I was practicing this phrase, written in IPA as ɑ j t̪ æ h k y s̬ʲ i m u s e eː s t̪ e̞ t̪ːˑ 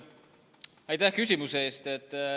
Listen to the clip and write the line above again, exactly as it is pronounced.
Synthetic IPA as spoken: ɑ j t̪ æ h k y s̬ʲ i m u s e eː s t̪ e̞ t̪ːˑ